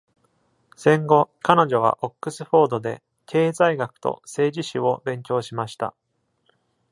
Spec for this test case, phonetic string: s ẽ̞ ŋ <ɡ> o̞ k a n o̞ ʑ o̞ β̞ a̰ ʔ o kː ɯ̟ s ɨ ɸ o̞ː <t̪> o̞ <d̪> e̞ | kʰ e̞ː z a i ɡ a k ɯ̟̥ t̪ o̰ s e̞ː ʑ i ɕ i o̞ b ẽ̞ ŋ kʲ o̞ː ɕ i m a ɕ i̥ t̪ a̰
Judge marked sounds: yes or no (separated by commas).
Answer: yes, no, yes